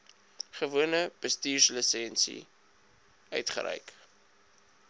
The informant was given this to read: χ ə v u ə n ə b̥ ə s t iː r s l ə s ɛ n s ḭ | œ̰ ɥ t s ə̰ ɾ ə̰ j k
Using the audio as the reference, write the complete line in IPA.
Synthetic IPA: χ ə v u ə n ə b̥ ə s t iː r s l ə s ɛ n s ḭ | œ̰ ɥ t χ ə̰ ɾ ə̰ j k